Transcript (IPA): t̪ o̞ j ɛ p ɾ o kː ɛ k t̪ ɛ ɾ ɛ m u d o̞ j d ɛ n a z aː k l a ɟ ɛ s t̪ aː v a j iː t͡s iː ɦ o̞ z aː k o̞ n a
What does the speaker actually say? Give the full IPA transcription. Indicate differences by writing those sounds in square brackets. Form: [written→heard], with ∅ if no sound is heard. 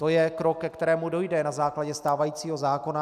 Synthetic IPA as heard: t̪ o̞ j ɛ [p→k] ɾ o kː ɛ k t̪ ɛ ɾ [ɛ→ɛː] m u d o̞ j d ɛ n a z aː k l a ɟ ɛ s t̪ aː v a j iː t͡s iː ɦ o̞ z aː k o̞ n a